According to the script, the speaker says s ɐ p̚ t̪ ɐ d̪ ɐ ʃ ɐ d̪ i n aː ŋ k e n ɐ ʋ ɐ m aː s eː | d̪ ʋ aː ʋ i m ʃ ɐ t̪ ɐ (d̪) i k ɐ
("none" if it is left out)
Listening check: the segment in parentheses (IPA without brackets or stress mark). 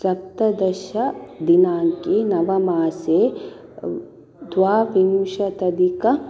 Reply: d̪